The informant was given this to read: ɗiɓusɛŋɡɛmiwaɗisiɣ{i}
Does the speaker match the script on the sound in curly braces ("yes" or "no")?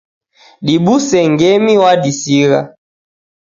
no